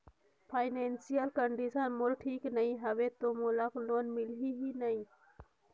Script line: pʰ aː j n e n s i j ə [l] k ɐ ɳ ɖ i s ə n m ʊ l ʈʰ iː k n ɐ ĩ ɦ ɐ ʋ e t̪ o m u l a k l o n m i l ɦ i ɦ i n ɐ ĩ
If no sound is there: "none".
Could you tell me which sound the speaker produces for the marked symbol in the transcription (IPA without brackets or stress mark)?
l